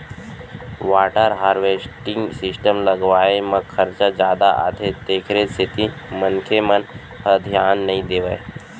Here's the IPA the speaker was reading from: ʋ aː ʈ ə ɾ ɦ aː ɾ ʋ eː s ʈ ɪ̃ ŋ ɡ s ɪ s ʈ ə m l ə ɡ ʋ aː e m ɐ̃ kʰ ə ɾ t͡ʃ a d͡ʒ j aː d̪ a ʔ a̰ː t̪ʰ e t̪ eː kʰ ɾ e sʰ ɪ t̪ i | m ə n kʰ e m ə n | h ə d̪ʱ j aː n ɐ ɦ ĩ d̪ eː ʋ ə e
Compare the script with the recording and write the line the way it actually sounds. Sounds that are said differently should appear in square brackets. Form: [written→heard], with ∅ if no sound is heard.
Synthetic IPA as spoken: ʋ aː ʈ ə ɾ ɦ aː ɾ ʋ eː s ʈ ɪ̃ ŋ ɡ s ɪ s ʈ ə m l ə ɡ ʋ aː e m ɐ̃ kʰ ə ɾ t͡ʃ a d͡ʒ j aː d̪ a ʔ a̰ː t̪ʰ e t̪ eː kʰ ɾ e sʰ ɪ t̪ i | m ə n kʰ e m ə n | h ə d̪ʱ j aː [n→nː] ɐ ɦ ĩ d̪ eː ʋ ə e